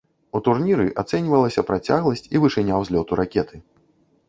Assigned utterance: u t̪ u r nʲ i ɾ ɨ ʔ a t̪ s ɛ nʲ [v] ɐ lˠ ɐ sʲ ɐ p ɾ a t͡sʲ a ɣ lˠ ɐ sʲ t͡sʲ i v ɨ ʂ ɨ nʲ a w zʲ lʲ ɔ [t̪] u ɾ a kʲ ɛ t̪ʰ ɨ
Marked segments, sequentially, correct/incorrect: correct, correct

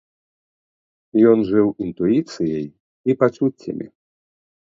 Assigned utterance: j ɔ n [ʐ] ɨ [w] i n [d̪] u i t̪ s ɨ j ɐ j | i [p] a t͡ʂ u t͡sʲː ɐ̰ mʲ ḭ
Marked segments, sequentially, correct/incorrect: correct, correct, incorrect, correct

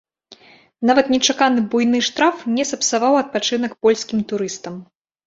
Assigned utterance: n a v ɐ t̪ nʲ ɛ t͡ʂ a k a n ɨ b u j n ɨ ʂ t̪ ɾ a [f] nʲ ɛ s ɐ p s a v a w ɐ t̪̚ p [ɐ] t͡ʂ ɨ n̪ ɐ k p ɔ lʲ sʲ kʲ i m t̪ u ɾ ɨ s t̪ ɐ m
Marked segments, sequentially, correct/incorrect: correct, incorrect

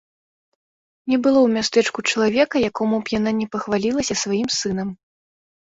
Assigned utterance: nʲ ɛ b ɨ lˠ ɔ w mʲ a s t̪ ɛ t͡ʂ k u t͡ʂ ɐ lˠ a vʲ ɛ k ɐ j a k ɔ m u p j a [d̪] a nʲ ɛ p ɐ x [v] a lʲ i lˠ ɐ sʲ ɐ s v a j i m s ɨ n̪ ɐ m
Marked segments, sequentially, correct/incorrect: incorrect, correct

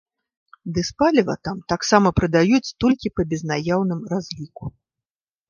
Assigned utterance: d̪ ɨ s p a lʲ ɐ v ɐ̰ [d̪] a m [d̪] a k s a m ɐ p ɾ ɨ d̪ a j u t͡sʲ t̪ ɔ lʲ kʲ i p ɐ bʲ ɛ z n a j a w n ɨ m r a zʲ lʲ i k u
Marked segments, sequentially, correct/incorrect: incorrect, incorrect

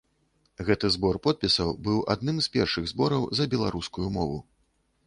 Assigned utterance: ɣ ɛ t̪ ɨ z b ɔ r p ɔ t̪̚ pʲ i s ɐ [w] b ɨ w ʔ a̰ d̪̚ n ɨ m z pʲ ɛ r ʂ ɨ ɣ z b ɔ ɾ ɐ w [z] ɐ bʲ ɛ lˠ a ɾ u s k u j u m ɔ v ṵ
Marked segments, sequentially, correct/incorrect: correct, correct

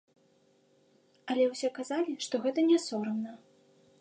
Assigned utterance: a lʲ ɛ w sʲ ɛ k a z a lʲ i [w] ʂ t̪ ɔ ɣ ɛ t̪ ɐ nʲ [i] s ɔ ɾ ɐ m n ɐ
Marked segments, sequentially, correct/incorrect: incorrect, incorrect

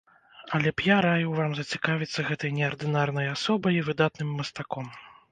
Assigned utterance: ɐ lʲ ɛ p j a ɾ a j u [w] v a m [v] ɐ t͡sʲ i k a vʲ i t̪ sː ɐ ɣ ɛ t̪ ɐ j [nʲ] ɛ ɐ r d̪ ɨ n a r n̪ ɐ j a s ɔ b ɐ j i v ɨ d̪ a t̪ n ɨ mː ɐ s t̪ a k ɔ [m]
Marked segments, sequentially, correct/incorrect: correct, incorrect, correct, correct

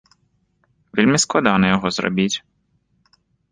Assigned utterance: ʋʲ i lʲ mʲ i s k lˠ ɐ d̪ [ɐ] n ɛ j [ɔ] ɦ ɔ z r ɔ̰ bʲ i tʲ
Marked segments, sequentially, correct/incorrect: incorrect, correct

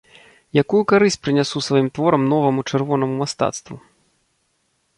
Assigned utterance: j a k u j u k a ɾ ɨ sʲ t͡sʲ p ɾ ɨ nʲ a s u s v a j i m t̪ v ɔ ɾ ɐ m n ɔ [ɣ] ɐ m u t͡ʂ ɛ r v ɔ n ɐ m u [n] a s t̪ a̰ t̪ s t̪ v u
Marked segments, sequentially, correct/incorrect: incorrect, incorrect

